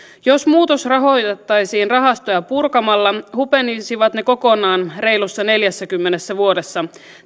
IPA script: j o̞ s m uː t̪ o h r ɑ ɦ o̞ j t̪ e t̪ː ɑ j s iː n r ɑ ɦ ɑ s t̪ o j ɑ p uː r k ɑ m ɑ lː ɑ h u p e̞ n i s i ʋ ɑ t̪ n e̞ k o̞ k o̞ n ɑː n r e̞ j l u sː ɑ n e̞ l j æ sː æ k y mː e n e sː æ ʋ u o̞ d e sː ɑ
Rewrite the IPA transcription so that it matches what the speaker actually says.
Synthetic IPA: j o̞ s m uː t̪ o s r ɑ ɦ o̞ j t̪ e t̪ː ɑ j s iː n r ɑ ɦ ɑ s t̪ o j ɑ p u r k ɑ m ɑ lː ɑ h u p e̞ n i s i ʋ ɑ t̪ n e̞ k o̞ k o̞ n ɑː n r e̞ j l u sː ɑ n e̞ l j æ sː æ k y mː e n e sː æ ʋ u o̞ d e sː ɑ